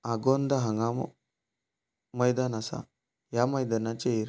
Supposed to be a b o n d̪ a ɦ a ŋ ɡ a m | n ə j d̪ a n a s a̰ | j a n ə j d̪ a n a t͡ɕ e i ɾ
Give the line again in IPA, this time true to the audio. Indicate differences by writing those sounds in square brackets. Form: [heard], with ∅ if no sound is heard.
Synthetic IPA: a [ɡ] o n d̪ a ɦ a ŋ ɡ a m | [m] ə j d̪ a n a s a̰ | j a [m] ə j d̪ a n a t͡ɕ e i ɾ